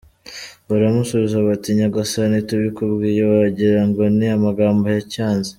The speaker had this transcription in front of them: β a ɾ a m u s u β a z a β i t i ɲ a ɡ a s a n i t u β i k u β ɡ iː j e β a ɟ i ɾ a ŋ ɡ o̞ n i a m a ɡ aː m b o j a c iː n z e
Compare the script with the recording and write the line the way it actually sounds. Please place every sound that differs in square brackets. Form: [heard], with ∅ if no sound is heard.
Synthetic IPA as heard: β a ɾ a m u s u β [i] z a β [a] t i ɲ a ɡ a s a n i t u β i k u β ɡ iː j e β a ɟ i ɾ a ŋ ɡ o̞ n i a m a ɡ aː m b o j a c [aː] n z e